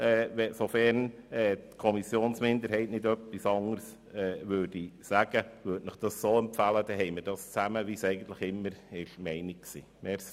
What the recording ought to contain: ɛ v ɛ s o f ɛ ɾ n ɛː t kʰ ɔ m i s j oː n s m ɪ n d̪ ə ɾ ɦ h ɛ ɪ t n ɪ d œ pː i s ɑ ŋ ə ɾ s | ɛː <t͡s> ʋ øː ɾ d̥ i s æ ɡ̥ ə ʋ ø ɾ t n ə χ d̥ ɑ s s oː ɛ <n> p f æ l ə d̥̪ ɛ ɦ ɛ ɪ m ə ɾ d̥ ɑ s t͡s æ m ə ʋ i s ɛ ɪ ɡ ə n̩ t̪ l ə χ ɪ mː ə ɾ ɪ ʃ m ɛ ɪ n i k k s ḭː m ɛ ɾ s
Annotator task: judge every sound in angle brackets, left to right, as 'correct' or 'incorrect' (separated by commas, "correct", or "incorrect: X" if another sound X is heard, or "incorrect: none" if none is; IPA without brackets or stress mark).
incorrect: none, incorrect: m